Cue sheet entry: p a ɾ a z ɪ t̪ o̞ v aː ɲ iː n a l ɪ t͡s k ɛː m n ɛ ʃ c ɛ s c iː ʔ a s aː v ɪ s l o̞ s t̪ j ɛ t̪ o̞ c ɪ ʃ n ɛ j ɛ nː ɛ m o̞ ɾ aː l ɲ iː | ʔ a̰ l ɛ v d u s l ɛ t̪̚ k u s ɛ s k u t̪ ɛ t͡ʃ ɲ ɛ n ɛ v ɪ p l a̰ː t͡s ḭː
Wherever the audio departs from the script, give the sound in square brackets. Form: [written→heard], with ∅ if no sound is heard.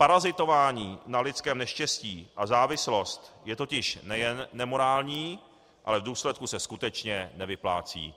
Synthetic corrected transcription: p a ɾ a z ɪ t̪ o̞ v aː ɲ iː n a l ɪ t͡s k ɛː m n ɛ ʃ c ɛ s c iː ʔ a [s→z] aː v ɪ s l o̞ s t̪ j ɛ t̪ o̞ c ɪ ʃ n ɛ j ɛ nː ɛ m o̞ ɾ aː l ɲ iː | ʔ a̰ l ɛ v d [u→uː] s l ɛ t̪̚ k u s ɛ s k u t̪ ɛ t͡ʃ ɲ ɛ n ɛ v ɪ p l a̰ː t͡s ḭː